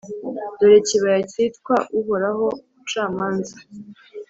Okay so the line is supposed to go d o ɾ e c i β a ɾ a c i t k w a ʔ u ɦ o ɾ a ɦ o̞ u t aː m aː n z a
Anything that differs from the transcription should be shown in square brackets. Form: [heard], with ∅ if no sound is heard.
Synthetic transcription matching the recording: d o ɾ e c i β a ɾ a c i t k w a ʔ u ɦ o ɾ a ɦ o̞ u [t͡ʃ] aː m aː n z a